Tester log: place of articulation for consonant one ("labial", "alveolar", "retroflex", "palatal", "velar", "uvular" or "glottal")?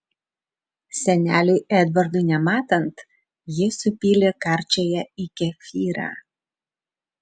alveolar